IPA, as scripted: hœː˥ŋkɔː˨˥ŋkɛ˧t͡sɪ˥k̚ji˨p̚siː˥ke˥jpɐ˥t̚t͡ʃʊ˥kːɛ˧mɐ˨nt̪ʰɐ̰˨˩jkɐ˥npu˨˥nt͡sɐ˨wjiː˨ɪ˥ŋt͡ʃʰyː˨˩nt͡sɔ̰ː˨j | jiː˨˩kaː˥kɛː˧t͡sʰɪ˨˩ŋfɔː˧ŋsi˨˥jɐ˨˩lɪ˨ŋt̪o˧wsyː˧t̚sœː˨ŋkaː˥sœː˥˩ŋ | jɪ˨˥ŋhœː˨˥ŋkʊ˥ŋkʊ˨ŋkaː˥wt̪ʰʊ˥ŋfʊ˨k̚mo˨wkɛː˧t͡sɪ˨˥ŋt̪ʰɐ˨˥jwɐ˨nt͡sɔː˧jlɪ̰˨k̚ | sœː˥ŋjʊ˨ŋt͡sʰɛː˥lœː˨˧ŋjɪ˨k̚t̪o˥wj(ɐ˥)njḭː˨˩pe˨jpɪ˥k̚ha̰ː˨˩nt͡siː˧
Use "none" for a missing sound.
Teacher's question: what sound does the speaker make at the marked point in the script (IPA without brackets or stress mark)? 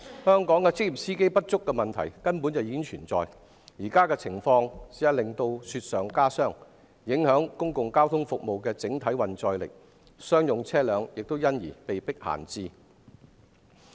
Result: ɐ˥